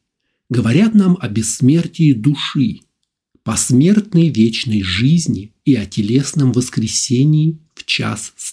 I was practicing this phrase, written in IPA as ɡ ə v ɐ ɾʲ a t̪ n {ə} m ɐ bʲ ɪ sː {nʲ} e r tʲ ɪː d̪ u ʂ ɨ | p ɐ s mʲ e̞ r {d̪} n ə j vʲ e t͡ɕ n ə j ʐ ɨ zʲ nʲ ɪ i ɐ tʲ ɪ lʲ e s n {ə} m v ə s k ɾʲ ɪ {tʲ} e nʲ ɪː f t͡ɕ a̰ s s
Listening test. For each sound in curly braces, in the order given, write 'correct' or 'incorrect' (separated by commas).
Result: incorrect, incorrect, incorrect, correct, incorrect